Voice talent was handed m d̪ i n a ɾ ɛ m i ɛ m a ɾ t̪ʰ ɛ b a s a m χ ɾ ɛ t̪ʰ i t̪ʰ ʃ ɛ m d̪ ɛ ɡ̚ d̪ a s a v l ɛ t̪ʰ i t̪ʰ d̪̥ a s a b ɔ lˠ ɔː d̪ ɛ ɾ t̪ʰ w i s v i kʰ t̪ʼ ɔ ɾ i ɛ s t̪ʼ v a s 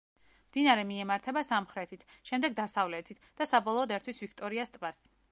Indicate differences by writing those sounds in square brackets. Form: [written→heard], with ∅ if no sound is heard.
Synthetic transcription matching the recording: m d̪ i n a ɾ ɛ m i ɛ m a ɾ t̪ʰ ɛ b a s a m χ ɾ ɛ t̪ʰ i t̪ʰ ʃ ɛ m d̪ ɛ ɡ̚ d̪ a s a v l ɛ t̪ʰ i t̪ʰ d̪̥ a s a b ɔ lˠ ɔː d̪ ɛ ɾ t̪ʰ w i s v i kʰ t̪ʼ ɔ ɾ i [ɛ→a] s t̪ʼ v a s